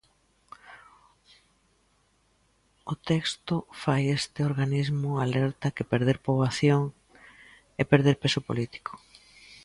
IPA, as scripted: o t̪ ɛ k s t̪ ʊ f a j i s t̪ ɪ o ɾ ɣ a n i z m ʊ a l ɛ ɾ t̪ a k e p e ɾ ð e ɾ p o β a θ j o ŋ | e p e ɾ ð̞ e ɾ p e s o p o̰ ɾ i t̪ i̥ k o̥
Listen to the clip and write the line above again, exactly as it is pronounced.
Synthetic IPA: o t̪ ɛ k s t̪ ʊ f a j e s t̪ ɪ o ɾ ɣ a n i z m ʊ a l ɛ ɾ t̪ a k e p e ɾ ð e ɾ p o β a θ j o ŋ | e p e ɾ ð̞ e ɾ p e s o p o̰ l i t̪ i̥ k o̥